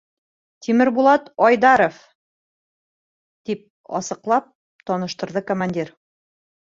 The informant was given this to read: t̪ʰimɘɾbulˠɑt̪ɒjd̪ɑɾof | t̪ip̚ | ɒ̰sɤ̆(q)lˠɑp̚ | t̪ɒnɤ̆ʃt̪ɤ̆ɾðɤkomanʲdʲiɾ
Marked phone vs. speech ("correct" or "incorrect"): correct